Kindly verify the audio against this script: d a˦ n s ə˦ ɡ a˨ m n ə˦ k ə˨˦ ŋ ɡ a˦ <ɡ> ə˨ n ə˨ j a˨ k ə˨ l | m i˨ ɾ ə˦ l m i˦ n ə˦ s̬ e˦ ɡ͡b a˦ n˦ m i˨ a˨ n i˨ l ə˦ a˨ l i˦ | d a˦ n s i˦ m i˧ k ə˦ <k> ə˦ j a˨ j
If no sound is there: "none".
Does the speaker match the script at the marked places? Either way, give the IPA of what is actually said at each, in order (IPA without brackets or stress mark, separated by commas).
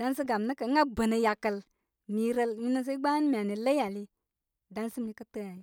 b, t